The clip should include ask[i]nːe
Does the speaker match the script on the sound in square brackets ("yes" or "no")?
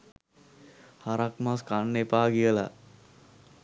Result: no